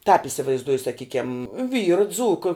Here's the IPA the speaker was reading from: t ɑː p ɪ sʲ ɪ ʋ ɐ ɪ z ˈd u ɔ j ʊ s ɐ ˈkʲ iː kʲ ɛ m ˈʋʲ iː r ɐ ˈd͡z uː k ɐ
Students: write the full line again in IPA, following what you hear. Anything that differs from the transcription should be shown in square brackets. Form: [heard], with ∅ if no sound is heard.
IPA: t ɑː p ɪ sʲ ɪ ʋ ɐ ɪ z ˈd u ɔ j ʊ s ɐ ˈkʲ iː kʲ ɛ m ˈʋʲ iː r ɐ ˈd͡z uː k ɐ